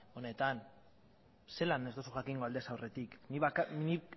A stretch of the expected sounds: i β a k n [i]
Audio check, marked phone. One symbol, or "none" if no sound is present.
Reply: i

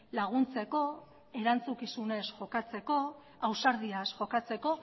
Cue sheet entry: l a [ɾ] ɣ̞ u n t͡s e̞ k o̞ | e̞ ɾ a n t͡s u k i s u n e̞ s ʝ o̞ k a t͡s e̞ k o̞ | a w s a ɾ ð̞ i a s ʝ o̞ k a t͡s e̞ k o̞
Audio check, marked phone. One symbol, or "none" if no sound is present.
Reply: none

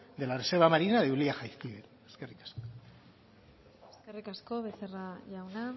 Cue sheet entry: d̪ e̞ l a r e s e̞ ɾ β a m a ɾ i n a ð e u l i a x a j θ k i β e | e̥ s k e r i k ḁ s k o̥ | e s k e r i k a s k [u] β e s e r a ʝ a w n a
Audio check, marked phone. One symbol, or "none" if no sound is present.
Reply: o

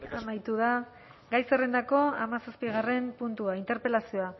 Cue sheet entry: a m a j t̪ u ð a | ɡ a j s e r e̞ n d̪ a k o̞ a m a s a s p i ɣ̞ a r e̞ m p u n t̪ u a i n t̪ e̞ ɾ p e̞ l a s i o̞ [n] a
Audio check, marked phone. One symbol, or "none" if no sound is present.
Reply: none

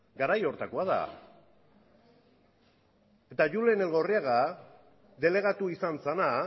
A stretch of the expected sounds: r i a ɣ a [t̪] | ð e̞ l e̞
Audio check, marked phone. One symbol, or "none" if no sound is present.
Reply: none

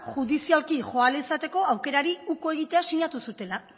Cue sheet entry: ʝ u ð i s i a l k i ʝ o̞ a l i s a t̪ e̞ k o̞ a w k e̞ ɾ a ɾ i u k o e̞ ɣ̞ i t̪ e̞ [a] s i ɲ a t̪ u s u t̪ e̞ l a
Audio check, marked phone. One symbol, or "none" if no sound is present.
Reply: a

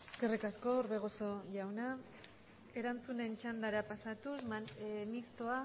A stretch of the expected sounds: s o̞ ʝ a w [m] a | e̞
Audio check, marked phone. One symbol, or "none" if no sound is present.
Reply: n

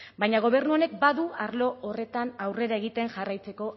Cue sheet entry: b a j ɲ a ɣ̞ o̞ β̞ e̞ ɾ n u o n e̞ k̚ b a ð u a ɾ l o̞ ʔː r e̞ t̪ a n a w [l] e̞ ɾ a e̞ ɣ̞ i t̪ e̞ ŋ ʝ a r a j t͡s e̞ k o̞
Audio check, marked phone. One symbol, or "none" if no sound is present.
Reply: r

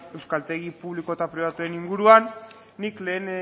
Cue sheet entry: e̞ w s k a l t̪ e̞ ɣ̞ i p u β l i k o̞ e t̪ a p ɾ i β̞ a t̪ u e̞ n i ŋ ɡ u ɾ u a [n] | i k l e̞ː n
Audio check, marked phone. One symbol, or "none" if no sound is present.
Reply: nː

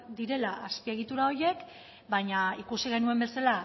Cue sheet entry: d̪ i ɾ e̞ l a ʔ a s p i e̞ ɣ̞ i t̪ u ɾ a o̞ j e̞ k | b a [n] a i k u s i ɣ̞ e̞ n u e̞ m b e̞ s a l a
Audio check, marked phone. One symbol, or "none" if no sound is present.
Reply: ɲ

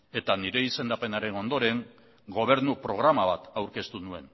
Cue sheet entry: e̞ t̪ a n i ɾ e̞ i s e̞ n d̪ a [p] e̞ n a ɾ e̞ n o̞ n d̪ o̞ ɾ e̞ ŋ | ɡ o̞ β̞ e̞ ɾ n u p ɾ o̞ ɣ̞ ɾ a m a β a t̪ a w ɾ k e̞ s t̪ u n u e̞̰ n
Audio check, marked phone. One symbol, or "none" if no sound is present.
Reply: p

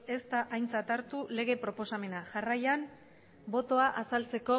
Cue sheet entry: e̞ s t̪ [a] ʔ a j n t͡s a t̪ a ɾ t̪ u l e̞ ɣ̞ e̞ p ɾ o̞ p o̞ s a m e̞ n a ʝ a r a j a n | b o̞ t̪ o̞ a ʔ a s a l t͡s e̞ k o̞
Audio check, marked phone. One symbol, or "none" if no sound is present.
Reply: a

